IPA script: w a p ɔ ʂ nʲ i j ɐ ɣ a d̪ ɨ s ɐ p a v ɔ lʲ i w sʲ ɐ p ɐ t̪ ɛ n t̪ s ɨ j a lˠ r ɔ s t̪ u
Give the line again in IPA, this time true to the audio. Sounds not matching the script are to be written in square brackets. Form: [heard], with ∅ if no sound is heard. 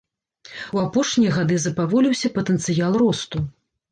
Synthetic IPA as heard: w a p ɔ ʂ nʲ i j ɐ ɣ a d̪ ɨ [z] ɐ p a v ɔ lʲ i w sʲ ɐ p ɐ t̪ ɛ n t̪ s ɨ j a lˠ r ɔ s t̪ u